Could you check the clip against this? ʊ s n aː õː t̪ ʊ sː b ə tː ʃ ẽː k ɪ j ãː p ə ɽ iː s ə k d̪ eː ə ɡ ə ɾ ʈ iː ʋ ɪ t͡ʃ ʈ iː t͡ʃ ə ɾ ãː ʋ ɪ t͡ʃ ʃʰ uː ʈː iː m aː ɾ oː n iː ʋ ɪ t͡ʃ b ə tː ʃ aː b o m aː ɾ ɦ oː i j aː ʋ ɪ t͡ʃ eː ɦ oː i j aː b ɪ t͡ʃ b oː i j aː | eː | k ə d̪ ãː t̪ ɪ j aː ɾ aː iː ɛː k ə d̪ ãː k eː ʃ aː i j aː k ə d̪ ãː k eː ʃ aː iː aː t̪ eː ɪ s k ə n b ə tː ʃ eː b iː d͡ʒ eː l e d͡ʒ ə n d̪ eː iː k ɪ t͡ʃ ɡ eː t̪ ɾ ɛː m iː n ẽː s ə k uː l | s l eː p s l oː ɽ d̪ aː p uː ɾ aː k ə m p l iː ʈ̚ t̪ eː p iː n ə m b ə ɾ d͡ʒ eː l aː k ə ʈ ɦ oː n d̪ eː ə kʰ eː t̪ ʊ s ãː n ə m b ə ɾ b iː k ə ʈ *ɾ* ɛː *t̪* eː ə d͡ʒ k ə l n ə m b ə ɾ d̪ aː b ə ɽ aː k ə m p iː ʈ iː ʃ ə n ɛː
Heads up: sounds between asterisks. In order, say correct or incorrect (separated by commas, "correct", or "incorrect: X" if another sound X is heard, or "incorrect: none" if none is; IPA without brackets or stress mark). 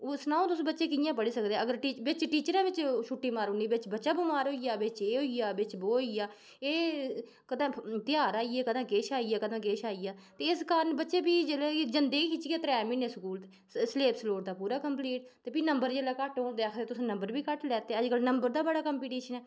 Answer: incorrect: l, correct